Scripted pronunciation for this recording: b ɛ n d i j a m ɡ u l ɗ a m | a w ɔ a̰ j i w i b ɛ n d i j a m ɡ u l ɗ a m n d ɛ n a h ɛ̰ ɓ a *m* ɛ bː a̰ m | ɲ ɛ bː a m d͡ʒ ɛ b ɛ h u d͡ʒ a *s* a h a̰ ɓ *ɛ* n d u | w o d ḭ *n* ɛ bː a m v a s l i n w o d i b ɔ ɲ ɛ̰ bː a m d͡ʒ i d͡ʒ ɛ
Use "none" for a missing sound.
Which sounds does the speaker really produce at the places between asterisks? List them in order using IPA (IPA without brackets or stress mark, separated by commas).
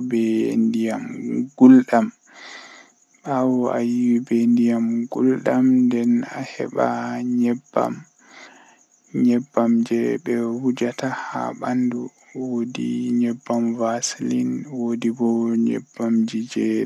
ɲ, t, a, ɲ